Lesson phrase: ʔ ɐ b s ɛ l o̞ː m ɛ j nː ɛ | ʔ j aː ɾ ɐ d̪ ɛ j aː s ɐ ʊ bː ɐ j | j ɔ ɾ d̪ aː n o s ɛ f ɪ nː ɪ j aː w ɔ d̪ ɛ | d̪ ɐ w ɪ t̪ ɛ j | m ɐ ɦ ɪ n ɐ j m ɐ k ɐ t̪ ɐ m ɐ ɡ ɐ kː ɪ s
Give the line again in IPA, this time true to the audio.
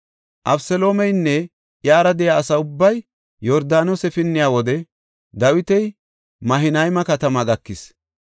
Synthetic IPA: ʔ ɐ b s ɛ l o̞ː m ɛ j nː ɛ | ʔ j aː ɾ ɐ d̪ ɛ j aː s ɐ ʊ bː ɐ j | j ɔ ɾ d̪ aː n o s ɛ f ɪ nː ɪ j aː w ɔ d̪ ɛ | d̪ ɐ w ɪ t̪ ɛ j | m ɐ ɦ ɪ n ɐ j m ɐ k ɐ t̪ ɐ m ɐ ɡ ɐ kː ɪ s